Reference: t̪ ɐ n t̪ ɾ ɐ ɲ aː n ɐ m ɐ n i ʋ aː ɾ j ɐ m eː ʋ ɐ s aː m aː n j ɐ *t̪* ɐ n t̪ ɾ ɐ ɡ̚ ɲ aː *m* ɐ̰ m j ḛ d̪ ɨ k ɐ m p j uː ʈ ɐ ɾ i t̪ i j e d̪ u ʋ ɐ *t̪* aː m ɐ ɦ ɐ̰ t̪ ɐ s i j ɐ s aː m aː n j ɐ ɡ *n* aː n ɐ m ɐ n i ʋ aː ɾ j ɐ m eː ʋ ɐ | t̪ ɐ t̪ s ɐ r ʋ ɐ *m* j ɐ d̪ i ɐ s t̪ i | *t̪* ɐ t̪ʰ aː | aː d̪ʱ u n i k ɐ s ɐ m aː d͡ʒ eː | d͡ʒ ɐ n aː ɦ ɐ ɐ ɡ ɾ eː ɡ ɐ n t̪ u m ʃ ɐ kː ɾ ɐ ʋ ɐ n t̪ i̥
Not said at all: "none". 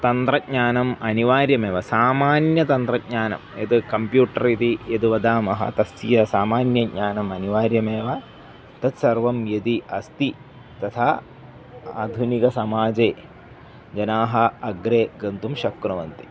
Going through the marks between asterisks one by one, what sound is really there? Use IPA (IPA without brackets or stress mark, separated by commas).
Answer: t̪, n, d̪, ɲ, m, t̪